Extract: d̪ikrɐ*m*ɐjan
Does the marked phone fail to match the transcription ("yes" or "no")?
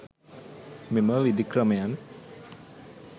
no